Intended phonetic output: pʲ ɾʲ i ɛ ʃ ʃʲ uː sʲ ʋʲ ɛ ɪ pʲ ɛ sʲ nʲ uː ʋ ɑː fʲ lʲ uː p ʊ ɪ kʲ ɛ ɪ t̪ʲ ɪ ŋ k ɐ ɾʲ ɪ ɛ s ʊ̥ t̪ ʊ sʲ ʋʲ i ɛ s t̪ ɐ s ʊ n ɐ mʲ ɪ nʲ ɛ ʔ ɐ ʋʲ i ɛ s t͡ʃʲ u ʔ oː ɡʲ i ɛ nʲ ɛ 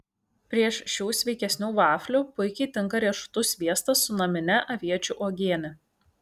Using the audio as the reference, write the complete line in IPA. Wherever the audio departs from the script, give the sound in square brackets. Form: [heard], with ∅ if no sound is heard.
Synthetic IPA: pʲ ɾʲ i ɛ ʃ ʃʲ uː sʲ ʋʲ ɛ ɪ [kʲ] ɛ sʲ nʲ uː ʋ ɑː fʲ lʲ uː p ʊ ɪ kʲ ɛ ɪ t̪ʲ ɪ ŋ k ɐ ɾʲ [i] ɛ [ʃ] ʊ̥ t̪ ʊ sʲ ʋʲ i ɛ s t̪ ɐ s ʊ n ɐ mʲ ɪ nʲ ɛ ʔ ɐ ʋʲ i ɛ [∅] t͡ʃʲ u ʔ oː ɡʲ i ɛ nʲ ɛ